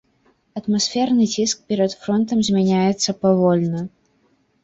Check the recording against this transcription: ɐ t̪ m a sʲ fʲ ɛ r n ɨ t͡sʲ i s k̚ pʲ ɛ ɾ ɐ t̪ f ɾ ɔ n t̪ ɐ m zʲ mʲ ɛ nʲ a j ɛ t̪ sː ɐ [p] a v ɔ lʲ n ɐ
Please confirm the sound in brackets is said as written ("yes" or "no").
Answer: yes